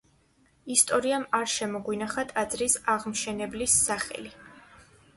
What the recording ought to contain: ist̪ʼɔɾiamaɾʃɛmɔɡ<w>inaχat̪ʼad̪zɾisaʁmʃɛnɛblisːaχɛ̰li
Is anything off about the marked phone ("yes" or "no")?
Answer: no